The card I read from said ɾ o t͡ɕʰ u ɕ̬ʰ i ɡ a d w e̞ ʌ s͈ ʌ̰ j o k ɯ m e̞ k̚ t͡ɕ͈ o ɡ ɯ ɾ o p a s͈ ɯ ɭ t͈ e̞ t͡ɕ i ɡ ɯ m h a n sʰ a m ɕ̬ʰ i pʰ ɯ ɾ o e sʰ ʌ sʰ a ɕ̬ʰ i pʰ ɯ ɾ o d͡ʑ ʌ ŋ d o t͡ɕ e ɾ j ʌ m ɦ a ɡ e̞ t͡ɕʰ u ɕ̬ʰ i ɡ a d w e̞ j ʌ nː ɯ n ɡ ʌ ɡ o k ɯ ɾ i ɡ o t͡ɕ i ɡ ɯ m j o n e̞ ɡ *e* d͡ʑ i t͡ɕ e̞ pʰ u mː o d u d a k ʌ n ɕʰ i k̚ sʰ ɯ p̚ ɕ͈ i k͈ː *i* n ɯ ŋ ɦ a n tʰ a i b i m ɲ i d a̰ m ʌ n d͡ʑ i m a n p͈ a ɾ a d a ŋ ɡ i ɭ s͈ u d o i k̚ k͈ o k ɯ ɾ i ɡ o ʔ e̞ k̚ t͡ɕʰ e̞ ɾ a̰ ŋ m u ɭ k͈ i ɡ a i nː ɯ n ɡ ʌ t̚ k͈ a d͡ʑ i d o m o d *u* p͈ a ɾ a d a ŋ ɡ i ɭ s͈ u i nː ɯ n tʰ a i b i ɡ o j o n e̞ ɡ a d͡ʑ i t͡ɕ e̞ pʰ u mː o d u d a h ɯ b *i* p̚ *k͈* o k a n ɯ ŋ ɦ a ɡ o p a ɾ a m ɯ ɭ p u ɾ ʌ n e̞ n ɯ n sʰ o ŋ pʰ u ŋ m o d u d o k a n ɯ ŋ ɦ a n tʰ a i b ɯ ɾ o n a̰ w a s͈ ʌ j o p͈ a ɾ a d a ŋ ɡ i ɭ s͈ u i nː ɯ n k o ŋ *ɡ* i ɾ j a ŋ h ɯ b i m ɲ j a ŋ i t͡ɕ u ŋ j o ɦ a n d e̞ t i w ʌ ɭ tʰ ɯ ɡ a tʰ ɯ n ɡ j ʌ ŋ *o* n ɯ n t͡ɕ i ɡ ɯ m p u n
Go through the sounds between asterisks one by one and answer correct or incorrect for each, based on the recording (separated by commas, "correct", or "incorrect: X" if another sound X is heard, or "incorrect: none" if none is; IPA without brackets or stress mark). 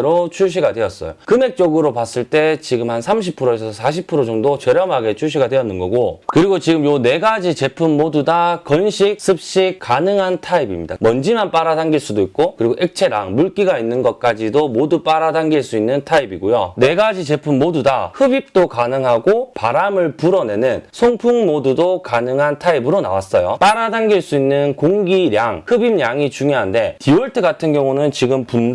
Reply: incorrect: a, incorrect: a, correct, correct, incorrect: t͈, correct, incorrect: u